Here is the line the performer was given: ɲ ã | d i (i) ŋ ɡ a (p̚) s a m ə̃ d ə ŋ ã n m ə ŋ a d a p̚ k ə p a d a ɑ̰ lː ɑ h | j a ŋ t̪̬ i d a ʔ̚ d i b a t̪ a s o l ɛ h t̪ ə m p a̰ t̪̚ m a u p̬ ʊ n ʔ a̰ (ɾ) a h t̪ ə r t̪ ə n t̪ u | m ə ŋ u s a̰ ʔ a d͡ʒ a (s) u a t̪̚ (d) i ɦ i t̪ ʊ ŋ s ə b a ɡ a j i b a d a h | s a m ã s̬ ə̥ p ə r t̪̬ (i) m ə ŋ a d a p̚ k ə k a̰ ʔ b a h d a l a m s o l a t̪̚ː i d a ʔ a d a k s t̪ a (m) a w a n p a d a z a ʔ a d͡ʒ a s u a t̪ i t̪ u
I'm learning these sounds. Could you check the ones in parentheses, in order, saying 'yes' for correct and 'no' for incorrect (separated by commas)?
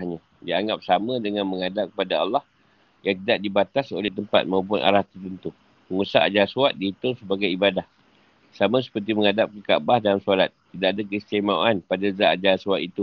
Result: no, yes, yes, yes, yes, yes, yes